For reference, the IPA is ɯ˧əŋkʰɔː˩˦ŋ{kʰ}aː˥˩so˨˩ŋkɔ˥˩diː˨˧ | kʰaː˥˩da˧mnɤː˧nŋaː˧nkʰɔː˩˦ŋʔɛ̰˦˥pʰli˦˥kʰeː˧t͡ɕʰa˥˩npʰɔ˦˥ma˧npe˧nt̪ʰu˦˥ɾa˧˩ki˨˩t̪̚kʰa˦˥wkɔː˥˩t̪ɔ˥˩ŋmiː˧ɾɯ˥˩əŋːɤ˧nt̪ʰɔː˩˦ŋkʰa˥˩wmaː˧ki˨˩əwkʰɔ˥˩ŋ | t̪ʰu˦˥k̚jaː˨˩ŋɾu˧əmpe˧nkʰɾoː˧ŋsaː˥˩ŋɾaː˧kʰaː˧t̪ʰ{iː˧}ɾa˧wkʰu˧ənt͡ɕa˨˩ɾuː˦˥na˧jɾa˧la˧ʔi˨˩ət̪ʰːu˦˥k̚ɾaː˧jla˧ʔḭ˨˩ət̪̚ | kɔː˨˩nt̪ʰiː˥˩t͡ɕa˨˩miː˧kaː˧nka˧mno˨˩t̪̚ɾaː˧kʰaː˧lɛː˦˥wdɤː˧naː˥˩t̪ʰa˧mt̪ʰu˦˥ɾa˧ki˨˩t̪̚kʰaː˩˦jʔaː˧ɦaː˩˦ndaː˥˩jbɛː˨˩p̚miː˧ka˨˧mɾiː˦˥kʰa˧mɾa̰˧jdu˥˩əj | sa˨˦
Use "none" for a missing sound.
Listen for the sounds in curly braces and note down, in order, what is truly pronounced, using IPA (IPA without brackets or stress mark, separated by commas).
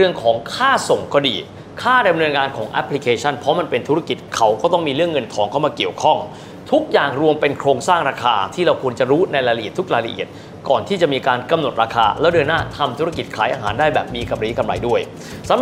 kʰ, iː˥˩